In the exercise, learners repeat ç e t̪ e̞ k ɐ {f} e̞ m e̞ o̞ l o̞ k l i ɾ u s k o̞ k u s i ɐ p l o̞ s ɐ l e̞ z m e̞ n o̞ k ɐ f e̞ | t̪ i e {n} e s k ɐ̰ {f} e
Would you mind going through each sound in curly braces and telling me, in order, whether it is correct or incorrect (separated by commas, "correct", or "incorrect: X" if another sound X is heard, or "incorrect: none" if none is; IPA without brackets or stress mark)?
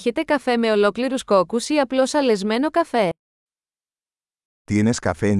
correct, correct, correct